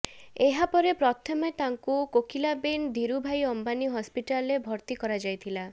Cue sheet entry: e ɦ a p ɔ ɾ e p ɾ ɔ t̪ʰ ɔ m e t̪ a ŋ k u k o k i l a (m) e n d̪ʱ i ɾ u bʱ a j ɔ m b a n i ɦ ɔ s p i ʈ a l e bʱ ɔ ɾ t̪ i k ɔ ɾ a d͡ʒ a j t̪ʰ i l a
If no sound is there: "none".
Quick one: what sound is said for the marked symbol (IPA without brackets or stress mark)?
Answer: b